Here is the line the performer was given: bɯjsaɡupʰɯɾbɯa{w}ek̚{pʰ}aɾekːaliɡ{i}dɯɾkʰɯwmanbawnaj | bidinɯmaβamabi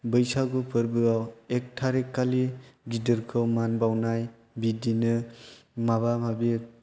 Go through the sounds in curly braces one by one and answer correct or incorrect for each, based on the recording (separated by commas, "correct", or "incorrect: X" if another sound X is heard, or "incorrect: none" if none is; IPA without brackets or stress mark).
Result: correct, incorrect: tʰ, correct